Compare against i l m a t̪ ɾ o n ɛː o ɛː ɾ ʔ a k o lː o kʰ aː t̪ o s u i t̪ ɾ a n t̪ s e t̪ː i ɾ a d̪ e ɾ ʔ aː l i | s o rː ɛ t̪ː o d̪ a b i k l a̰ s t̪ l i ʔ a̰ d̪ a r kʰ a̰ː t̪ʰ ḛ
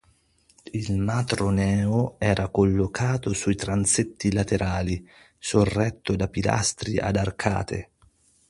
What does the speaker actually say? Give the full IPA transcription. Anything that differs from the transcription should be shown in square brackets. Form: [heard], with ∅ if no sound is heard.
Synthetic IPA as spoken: i l m a t̪ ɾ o n ɛː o ɛː ɾ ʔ a k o lː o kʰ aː t̪ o s u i t̪ ɾ a n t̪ s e t̪ː i [l] a [t̪] e ɾ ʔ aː l i | s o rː ɛ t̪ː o d̪ a [p] i [∅] l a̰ s t̪ [ɾ] i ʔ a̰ d̪ a r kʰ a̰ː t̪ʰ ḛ